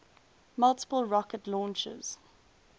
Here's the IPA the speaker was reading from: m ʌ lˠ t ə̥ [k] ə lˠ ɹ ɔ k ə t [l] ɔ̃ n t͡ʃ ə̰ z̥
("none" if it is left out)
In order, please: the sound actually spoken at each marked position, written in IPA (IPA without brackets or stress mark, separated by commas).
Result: p, l